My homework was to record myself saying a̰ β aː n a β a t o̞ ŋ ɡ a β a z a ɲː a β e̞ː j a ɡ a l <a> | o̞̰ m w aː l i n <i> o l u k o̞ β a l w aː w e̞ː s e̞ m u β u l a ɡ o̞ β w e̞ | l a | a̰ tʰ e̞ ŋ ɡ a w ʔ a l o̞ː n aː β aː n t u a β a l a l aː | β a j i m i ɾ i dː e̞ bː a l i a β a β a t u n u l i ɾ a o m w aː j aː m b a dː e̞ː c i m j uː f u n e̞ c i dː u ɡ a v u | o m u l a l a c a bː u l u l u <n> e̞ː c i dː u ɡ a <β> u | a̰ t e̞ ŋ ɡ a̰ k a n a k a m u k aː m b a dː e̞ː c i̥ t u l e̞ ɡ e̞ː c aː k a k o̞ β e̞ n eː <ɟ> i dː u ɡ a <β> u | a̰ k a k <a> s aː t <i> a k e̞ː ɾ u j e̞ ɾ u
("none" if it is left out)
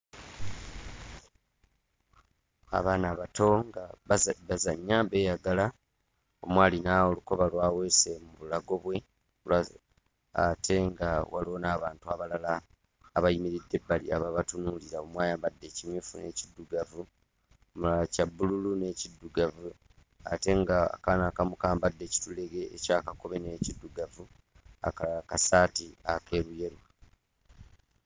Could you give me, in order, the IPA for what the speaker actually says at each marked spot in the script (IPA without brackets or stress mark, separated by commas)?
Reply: a, a, n, v, c, v, a, i